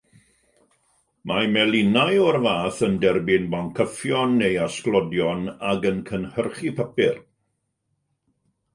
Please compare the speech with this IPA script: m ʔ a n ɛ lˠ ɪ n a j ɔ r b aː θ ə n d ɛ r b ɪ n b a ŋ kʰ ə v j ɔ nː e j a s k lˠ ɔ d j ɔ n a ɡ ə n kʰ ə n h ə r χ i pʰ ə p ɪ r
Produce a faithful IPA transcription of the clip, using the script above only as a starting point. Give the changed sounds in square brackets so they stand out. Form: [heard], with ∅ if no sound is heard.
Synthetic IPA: m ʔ a [m] ɛ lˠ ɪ n a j ɔ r [v] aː θ ə n d ɛ r b ɪ n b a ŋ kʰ ə [f] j ɔ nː e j a s k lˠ ɔ d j ɔ n a ɡ ə n kʰ ə n h ə r χ i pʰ ə p ɪ r